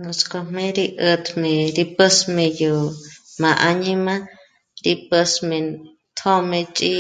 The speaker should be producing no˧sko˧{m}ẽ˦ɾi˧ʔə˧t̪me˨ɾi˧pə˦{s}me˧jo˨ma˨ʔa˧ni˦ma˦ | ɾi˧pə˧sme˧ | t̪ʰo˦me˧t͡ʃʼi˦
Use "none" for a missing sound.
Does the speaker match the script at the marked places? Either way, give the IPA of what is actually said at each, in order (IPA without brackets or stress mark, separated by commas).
m, s